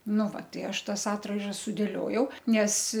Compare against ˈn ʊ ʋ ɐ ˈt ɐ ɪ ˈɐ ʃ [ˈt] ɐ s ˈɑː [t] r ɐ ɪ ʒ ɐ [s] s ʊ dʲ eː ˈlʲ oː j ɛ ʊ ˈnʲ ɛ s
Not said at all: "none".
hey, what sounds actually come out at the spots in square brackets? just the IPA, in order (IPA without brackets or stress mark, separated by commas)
t, t, s